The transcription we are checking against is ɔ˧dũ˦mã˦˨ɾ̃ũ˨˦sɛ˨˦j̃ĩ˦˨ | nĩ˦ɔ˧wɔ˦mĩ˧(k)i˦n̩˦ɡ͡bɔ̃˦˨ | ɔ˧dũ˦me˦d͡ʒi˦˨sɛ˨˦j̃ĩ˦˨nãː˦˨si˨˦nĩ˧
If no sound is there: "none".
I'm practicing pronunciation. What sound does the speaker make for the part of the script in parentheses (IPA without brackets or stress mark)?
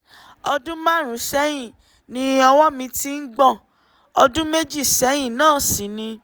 t